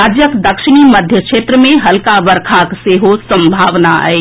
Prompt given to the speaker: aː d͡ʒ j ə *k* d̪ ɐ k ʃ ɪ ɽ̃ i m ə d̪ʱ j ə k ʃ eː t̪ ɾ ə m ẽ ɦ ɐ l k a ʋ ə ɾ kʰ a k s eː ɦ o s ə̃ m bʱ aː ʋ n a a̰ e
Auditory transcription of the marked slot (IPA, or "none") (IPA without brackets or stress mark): k